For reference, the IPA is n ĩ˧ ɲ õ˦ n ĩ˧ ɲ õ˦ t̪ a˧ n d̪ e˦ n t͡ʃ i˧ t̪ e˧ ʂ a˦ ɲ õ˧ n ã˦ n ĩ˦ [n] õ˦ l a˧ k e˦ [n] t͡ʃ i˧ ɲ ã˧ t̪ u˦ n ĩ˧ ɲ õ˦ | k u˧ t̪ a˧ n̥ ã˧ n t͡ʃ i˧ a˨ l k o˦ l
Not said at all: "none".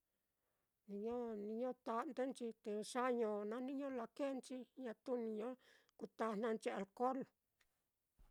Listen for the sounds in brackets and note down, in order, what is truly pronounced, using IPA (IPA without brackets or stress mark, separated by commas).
ɲ, n